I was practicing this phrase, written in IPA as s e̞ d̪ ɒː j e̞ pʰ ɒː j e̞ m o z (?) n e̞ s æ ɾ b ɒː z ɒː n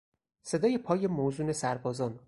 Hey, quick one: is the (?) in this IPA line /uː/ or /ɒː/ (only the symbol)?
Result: uː